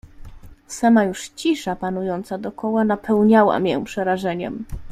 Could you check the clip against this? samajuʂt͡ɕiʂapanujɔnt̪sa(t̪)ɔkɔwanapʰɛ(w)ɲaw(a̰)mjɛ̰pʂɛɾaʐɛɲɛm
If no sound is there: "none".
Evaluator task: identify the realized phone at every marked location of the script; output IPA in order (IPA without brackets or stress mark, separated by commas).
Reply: d̪, w, a̰